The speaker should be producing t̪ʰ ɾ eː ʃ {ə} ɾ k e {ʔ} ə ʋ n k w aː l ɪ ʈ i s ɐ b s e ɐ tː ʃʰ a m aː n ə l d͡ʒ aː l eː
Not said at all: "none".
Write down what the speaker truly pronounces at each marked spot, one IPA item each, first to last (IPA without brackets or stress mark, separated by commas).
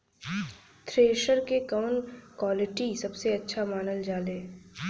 ə, k